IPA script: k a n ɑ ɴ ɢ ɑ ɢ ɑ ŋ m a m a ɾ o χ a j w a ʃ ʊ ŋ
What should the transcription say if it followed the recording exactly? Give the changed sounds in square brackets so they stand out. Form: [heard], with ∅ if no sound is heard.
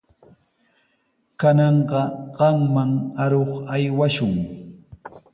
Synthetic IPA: k a n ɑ ɴ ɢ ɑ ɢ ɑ ŋ m a [ŋ] a ɾ o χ a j w a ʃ ʊ ŋ